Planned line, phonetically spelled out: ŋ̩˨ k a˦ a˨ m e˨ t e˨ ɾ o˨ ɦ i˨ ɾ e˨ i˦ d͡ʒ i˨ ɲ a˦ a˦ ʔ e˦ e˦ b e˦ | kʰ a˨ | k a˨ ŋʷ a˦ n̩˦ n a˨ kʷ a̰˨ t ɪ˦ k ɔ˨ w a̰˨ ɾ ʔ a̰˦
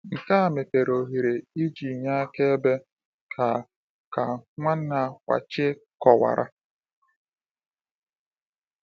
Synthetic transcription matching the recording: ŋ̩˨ k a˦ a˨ m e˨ t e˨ ɾ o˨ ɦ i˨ ɾ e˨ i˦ d͡ʒ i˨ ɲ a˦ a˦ k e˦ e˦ b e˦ | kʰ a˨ | k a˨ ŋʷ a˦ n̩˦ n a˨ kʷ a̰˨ t͡ʃ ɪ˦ k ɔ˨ w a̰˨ ɾ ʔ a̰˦